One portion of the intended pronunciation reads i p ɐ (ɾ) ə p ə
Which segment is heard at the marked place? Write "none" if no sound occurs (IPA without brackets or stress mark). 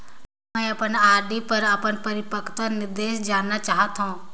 ɾ